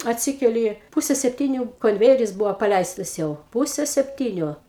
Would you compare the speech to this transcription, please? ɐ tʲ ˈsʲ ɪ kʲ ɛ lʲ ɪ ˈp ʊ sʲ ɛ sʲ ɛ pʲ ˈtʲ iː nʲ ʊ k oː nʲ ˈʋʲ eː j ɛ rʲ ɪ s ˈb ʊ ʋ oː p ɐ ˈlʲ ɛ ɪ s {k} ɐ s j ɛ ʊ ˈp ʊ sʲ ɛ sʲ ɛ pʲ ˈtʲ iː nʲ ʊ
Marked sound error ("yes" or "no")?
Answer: yes